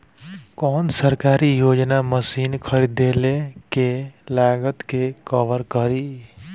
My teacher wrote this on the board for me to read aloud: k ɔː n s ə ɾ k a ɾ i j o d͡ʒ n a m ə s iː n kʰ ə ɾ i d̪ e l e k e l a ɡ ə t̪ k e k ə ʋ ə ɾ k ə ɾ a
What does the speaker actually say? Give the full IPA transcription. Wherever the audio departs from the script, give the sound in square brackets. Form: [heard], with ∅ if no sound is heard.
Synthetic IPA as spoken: k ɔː n s ə ɾ k a ɾ i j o d͡ʒ n a m ə s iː n kʰ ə ɾ i d̪ e l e k e l a ɡ ə t̪ k e k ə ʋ ə ɾ k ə ɾ [i]